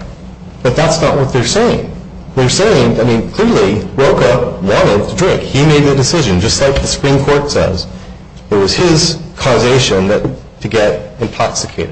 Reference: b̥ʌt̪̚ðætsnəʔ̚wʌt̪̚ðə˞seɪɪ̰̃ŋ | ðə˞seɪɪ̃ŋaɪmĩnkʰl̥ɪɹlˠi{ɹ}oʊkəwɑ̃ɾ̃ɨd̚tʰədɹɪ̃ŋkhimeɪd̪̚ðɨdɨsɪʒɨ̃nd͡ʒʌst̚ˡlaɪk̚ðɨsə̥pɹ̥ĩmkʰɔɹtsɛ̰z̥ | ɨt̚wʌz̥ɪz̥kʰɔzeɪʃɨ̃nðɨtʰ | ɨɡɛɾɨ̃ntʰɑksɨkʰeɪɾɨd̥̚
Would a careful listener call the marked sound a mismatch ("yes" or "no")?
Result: no